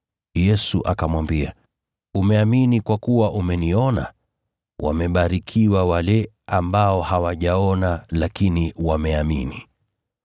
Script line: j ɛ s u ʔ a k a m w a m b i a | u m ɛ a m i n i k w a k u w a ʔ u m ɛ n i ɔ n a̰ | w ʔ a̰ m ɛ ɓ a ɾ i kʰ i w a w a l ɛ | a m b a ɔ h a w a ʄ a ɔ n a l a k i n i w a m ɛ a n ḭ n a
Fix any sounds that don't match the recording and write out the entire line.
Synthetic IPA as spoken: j ɛ s u ʔ a k a m w a m b i a | u m ɛ a m i n i k w a k u w a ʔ u m ɛ n i ɔ n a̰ | w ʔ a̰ m ɛ ɓ a ɾ i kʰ i w a w a l ɛ | a m b a ɔ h a w a ʄ a ɔ n a l a k i n i w a m ɛ a m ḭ n i